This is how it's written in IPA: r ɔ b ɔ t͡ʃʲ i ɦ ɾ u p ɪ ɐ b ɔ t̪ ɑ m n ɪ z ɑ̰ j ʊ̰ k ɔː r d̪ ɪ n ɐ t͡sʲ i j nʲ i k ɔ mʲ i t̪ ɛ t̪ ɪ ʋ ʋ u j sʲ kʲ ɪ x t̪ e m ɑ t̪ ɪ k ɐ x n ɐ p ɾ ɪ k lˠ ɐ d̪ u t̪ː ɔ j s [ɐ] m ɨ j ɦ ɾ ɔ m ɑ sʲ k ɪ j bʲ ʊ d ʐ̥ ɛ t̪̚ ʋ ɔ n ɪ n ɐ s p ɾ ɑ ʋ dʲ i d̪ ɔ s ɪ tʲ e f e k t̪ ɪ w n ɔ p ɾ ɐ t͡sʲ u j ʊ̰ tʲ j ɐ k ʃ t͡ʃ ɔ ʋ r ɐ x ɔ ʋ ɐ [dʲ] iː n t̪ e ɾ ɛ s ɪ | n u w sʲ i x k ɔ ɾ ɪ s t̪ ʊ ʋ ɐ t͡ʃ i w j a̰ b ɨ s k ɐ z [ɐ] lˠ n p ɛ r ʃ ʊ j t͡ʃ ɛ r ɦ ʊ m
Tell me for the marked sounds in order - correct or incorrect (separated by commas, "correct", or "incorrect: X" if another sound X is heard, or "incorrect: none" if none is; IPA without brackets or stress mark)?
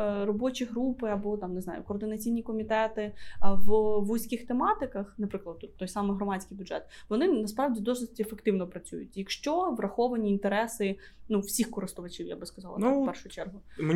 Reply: incorrect: ɑ, incorrect: nʲ, incorrect: ɑ